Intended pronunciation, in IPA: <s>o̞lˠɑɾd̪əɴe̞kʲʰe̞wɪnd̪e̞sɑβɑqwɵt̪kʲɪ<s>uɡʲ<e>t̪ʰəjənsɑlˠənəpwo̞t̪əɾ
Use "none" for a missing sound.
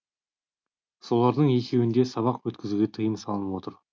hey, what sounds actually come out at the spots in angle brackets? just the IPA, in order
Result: s, z, e

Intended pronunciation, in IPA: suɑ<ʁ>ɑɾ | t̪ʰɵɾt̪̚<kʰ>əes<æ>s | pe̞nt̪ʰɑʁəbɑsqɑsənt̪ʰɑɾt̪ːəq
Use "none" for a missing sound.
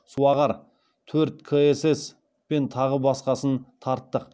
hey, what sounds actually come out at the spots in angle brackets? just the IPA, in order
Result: ʁ, kʰ, e

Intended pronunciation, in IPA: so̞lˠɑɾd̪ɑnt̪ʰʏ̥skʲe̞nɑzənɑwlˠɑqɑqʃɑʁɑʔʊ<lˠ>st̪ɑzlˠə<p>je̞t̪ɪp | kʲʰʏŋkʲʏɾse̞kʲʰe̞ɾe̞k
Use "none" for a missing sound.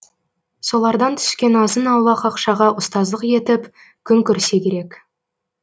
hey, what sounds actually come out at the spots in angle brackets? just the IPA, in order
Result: none, q

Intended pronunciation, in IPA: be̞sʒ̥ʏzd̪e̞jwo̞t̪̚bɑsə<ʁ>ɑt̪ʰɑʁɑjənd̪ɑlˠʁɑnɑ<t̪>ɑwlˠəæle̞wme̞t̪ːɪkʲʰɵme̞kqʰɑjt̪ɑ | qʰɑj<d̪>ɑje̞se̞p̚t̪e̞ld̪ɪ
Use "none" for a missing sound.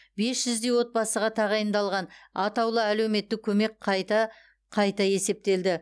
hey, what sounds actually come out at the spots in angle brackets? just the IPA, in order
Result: ʁ, t̪, t̪

